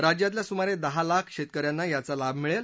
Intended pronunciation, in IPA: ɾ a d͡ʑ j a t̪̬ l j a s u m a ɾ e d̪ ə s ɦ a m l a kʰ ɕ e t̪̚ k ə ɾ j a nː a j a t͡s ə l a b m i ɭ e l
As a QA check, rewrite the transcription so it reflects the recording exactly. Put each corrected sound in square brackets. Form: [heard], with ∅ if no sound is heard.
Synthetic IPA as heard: ɾ a d͡ʑ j a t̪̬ l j a s u m a ɾ e d̪ ə [∅] ɦ a [∅] l a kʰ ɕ e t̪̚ k ə ɾ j a nː a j a t͡s [a] l a b m i ɭ e l